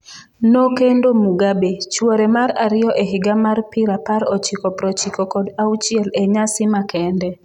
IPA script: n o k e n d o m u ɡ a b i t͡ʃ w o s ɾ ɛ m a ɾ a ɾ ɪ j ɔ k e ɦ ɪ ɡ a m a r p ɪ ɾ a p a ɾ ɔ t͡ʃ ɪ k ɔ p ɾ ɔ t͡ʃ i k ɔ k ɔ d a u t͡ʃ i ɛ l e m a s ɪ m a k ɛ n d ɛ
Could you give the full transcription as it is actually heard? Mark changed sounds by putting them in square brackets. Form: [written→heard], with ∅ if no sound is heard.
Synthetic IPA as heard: n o k e n d o m u ɡ a b [i→e] t͡ʃ w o [s→∅] ɾ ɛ m a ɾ a ɾ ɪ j ɔ [k→ʔ] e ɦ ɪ ɡ a m a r p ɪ ɾ a p a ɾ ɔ t͡ʃ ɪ k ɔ p ɾ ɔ t͡ʃ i k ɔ k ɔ d a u t͡ʃ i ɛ l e [m→ɲ] a s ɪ m a k ɛ n d ɛ

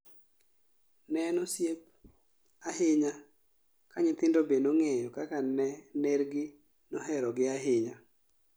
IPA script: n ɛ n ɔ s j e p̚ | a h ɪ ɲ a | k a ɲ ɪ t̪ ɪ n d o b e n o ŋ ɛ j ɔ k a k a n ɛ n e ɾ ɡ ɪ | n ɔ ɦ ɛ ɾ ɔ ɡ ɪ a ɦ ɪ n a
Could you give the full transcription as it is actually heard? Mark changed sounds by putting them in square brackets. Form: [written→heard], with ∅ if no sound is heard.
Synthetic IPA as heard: n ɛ n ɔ s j e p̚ | a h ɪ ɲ a | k a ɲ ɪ t̪ ɪ n d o b e n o ŋ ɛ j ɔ k a k a n ɛ n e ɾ ɡ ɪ | n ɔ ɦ ɛ ɾ ɔ ɡ ɪ a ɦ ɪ [n→ɲ] a

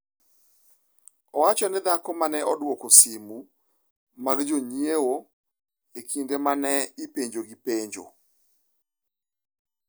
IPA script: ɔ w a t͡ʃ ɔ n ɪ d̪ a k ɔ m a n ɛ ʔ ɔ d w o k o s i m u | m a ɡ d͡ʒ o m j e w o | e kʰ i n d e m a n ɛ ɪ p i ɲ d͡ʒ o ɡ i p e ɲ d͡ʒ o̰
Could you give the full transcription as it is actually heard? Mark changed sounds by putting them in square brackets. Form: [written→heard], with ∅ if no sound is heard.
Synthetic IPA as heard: ɔ w a t͡ʃ ɔ n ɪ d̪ a k ɔ m a n ɛ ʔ ɔ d w o k o s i m u | m a ɡ d͡ʒ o [m→ɲ] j e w o | e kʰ i n d e m a n ɛ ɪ p [i→e] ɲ d͡ʒ o ɡ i p e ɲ d͡ʒ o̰

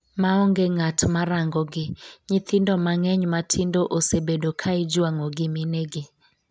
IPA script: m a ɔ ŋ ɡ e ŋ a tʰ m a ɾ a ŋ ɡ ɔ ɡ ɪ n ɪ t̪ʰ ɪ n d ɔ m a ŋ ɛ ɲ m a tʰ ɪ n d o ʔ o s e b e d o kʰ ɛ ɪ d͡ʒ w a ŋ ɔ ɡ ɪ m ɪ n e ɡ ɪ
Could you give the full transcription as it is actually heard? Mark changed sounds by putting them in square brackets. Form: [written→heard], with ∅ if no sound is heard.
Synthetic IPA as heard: m a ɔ ŋ ɡ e ŋ a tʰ m a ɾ a ŋ ɡ ɔ ɡ ɪ [n→ɲ] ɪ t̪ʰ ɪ n d ɔ m a ŋ ɛ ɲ m a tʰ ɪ n d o ʔ o s e b e d o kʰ [ɛ→a] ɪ d͡ʒ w a ŋ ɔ ɡ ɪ m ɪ n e ɡ ɪ

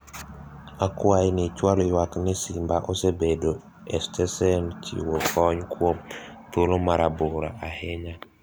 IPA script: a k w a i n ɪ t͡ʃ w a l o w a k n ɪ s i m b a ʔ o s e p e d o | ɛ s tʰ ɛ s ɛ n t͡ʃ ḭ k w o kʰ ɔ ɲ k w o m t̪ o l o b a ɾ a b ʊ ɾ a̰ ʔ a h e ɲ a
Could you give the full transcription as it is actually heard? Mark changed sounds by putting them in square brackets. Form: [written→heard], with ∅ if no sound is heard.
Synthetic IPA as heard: a k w a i n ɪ t͡ʃ w a l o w a k n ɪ s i m b a ʔ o s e [p→b] e d o | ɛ s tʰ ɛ s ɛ n t͡ʃ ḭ [k→∅] w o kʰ ɔ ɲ k w o m t̪ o l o [b→m] a ɾ a b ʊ ɾ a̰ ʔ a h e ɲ a

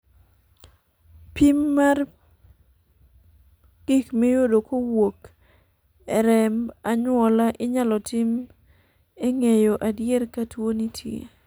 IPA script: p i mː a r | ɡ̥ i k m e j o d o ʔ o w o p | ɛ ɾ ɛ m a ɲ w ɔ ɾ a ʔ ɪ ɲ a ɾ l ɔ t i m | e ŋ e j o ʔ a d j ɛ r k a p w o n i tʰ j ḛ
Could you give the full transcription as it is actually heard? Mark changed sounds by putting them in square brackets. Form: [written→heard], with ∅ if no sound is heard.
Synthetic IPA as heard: p i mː a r | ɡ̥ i k m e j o d o [ʔ→k] o w o [p→k] | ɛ ɾ ɛ m a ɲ w ɔ [ɾ→l] a ʔ ɪ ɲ a [ɾ→∅] l ɔ t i m | e ŋ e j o ʔ a d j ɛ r k a [p→t] w o n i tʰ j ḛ

